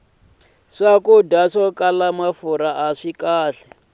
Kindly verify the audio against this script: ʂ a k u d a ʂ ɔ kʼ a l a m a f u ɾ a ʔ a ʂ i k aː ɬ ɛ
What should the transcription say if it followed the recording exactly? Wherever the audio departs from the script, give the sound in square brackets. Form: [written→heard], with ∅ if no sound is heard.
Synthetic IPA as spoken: ʂ a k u d a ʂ ɔ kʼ a l a m a f u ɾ a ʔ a ʂ i k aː ɬ ɛ